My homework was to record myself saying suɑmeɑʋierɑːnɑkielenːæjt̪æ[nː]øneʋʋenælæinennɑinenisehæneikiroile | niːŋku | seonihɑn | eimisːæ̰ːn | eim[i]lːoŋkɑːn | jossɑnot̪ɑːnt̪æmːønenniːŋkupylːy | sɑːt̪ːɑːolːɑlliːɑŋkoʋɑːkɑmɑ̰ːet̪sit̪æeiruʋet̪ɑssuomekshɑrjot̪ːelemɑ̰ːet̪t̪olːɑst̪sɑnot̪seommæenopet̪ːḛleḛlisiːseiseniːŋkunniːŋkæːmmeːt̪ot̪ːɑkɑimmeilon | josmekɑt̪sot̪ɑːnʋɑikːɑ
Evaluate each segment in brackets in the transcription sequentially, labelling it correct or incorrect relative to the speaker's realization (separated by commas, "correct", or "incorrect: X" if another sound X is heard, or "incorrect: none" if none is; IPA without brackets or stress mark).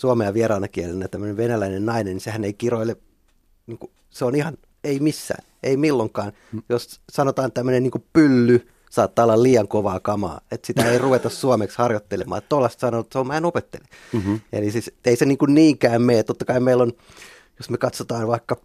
incorrect: mː, correct